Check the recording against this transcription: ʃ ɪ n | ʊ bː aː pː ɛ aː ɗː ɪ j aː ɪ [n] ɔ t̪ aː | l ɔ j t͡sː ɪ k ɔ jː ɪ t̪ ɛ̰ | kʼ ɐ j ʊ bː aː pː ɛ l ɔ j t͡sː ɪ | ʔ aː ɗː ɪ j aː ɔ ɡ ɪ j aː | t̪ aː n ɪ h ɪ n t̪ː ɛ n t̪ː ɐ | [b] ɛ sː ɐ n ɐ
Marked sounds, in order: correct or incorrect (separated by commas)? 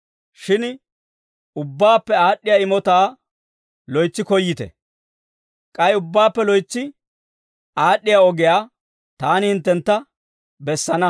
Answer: incorrect, correct